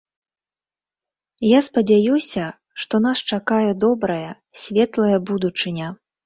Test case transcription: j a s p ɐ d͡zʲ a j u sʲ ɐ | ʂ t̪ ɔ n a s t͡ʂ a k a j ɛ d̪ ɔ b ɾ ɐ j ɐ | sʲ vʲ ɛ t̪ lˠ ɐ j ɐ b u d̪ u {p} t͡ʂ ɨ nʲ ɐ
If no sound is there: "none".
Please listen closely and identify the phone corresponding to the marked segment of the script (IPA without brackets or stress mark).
none